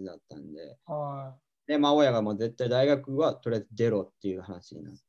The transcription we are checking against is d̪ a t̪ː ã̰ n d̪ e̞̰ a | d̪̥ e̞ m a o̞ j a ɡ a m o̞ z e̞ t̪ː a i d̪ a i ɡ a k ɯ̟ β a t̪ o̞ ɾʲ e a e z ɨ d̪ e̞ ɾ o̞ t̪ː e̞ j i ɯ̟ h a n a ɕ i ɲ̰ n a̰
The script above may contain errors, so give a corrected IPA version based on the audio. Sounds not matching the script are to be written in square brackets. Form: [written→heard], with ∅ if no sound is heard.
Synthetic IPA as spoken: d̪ a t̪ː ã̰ n d̪ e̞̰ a | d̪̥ e̞ m a o̞ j a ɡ a m o̞ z e̞ t̪ː a i d̪ a i ɡ a k ɯ̟ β a t̪ o̞ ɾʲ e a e z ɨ d̪ e̞ ɾ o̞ t̪ː e̞ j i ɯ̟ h a n a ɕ i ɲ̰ n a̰